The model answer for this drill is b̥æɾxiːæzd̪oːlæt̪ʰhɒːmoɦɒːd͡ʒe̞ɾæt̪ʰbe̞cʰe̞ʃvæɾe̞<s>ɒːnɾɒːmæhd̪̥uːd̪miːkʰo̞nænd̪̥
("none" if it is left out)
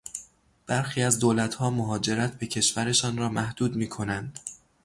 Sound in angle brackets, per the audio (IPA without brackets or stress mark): ʃ